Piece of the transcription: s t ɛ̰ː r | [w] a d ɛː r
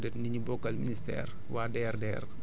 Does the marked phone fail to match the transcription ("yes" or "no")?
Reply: no